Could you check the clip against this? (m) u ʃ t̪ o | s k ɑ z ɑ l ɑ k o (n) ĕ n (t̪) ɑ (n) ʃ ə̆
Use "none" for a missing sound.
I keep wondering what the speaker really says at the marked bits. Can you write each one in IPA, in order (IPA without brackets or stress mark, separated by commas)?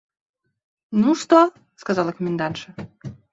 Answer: n, m, d̪, n